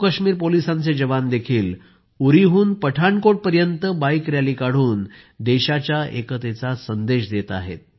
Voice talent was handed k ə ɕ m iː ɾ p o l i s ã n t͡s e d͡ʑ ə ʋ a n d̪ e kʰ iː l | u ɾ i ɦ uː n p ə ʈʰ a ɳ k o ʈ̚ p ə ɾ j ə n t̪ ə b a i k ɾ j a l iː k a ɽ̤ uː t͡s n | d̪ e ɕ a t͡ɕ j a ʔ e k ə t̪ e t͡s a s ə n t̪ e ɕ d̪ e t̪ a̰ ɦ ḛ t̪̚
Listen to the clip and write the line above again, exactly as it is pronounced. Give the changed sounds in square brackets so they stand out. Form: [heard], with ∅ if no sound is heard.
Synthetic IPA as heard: k ə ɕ m iː ɾ p o l i s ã n t͡s e d͡ʑ ə ʋ a n d̪ e kʰ iː l | u ɾ i ɦ uː n p ə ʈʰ a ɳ k o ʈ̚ p ə ɾ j ə n t̪ ə b a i k ɾ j a l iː k a ɽ̤ uː [∅] n | d̪ e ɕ a t͡ɕ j a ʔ e k ə t̪ e t͡s a s ə n [d̪] e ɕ d̪ e t̪ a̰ ɦ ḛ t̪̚

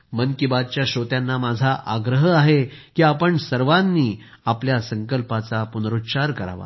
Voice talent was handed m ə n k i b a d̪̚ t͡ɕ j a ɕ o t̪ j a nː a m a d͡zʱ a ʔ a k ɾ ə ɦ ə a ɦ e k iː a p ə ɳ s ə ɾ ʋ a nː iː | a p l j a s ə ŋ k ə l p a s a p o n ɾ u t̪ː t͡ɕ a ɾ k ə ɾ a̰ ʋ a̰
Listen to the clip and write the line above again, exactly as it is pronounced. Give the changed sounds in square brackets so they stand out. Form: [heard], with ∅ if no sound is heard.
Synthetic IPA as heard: m ə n k i b a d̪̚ t͡ɕ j a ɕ o t̪ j a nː a m a d͡zʱ a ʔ a [ɡ] ɾ ə ɦ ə a ɦ e k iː a p ə ɳ s ə ɾ ʋ a nː iː | a p l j a s ə ŋ k ə l p a [t͡s] a p [u] n ɾ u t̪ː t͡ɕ a ɾ k ə ɾ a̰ ʋ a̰

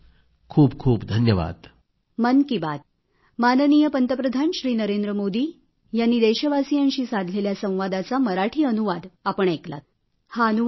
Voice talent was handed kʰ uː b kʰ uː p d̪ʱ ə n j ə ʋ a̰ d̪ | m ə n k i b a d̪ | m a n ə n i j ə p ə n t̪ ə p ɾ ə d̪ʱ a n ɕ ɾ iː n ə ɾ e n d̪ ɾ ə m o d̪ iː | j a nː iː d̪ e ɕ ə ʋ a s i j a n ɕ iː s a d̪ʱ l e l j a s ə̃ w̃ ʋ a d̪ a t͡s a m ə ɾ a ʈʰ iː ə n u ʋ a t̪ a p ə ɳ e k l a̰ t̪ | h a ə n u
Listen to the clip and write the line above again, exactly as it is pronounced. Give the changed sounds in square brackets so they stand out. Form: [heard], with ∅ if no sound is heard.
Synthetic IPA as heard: kʰ uː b kʰ uː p d̪ʱ ə n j ə ʋ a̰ d̪ | m ə n k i b a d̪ | m a n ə n i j ə p ə n t̪ ə p ɾ ə d̪ʱ a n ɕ ɾ iː n ə ɾ e n d̪ ɾ ə m o d̪ iː | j a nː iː d̪ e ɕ ə ʋ a s i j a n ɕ iː s a d̪ʱ l e l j a s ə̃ w̃ ʋ a d̪ a t͡s a m ə ɾ a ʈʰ iː ə n u ʋ a [d̪] a p ə ɳ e k l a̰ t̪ | h a ə n u

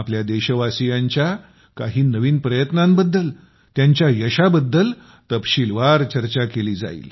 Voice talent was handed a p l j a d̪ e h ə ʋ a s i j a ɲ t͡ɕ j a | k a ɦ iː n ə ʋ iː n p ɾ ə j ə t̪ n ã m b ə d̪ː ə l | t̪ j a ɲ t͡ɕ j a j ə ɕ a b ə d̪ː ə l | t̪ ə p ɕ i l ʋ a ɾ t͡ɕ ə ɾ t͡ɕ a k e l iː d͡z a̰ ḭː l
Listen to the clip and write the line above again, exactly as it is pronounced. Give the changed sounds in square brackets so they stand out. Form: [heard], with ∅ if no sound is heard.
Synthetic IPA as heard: a p l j a d̪ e [ɕ] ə ʋ a s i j a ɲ t͡ɕ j a | k a ɦ iː n ə ʋ iː n p ɾ ə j ə t̪ n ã m b ə d̪ː ə l | t̪ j a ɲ t͡ɕ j a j ə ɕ a b ə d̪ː ə l | t̪ ə p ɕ i l ʋ a ɾ t͡ɕ ə ɾ t͡ɕ a k e l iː d͡z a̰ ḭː l

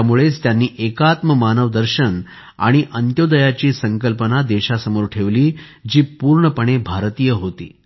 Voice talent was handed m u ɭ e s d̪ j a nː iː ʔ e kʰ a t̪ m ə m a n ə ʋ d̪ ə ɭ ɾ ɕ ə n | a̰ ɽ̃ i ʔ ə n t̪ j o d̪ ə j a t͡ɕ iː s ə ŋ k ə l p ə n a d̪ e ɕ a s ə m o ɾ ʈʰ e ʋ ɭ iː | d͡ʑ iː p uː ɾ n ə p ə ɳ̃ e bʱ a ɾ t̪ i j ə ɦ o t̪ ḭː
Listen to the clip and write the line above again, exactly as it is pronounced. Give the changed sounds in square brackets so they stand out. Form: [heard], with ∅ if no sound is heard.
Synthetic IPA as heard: m u ɭ e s [t̪] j a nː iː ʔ e [k] a t̪ m ə m a n ə ʋ d̪ ə [∅] ɾ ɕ ə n | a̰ ɽ̃ i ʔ ə n t̪ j o d̪ ə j a t͡ɕ iː s ə ŋ k ə l p ə n a d̪ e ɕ a s ə m o ɾ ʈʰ e ʋ [l] iː | d͡ʑ iː p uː ɾ [ɳ] ə p ə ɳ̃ e bʱ a ɾ t̪ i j ə ɦ o t̪ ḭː

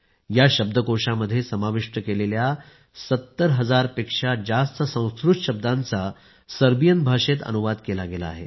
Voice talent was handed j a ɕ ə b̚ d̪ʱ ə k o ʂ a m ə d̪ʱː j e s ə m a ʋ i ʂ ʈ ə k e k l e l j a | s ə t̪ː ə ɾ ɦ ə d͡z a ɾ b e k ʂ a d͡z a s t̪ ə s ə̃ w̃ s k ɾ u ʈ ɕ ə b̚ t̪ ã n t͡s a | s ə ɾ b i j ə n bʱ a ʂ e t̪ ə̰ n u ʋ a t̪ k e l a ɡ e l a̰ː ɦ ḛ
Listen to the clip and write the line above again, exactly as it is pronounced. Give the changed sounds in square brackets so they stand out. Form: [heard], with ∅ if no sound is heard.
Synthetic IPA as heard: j a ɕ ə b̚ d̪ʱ ə k o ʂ a m ə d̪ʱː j e s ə m a ʋ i ʂ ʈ ə k e [∅] l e l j a | s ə t̪ː ə ɾ ɦ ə d͡z a ɾ [p] e k ʂ a d͡z a s t̪ ə s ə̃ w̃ s k ɾ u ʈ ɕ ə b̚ [d̪] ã n t͡s a | s ə ɾ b i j ə n bʱ a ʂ e t̪ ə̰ n u ʋ a [d̪] k e l a ɡ e l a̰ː ɦ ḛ

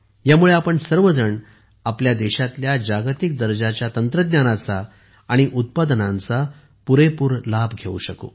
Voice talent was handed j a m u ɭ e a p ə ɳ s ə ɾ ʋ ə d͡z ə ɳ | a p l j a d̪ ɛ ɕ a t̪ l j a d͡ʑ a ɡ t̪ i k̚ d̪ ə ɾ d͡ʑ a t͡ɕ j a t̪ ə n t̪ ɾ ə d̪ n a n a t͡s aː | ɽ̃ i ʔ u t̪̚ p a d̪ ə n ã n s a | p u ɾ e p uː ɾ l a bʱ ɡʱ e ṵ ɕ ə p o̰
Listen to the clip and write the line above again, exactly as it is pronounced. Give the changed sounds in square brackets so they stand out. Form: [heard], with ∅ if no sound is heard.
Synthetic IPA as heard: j a m u ɭ e a p ə ɳ s ə ɾ ʋ ə d͡z ə ɳ | a p l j a d̪ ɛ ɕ a t̪ l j a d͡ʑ a ɡ t̪ i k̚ d̪ ə ɾ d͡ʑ a t͡ɕ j a t̪ ə n t̪ ɾ ə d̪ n a n a t͡s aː | ɽ̃ i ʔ u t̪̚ p a d̪ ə n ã n [t͡s] a | p u ɾ e p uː ɾ l a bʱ ɡʱ e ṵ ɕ ə [k] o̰

